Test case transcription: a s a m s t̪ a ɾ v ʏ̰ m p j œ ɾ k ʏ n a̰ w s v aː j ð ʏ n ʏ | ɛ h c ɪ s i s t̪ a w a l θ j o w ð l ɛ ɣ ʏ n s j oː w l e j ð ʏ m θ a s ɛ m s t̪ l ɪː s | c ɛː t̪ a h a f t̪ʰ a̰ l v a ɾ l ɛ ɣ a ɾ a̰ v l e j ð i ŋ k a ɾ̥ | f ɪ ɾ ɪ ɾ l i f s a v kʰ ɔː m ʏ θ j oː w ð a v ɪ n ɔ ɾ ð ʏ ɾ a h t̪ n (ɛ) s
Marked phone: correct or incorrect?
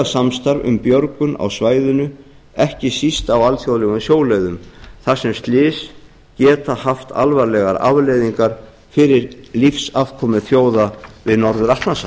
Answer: incorrect